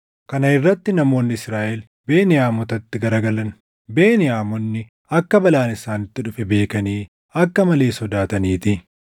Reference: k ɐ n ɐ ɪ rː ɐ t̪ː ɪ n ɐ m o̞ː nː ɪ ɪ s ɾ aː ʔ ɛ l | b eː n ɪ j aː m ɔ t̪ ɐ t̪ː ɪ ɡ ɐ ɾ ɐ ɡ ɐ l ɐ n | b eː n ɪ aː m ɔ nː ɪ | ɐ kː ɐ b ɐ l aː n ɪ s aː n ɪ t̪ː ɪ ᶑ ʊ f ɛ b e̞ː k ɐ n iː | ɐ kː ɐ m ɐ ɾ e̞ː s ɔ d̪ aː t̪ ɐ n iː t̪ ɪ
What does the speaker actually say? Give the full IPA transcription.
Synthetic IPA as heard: k ɐ n ɐ ɪ rː ɐ t̪ː ɪ n ɐ m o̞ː nː ɪ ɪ s ɾ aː ʔ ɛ l | b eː n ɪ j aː m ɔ t̪ ɐ t̪ː ɪ ɡ ɐ ɾ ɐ ɡ ɐ l ɐ n | b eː n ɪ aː m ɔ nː ɪ | ɐ kː ɐ b ɐ l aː n ɪ s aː n ɪ t̪ː ɪ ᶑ ʊ f ɛ b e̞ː k ɐ n iː | ɐ kː ɐ m ɐ l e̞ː s ɔ d̪ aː t̪ ɐ n iː t̪ ɪ